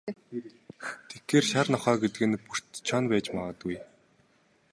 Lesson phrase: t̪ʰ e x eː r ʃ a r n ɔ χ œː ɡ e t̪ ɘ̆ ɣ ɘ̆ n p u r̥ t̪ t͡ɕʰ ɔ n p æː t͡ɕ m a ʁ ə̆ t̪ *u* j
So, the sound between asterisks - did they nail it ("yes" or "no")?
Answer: yes